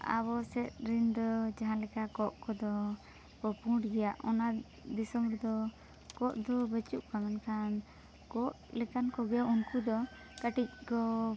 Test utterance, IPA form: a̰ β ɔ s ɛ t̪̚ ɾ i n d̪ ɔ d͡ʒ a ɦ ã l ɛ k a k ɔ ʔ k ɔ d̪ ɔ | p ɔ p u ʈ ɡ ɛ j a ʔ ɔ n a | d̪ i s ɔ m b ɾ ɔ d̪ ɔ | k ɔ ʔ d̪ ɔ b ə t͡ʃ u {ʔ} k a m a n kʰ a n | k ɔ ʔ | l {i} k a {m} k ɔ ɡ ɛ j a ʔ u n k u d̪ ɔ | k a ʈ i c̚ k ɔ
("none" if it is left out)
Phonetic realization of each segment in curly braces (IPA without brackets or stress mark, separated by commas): ʔ, ɛ, n